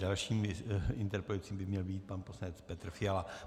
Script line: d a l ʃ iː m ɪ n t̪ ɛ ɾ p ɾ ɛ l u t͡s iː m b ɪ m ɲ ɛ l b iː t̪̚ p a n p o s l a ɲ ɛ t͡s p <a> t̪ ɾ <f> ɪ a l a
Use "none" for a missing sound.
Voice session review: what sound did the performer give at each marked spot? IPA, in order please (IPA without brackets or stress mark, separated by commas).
ɛ, f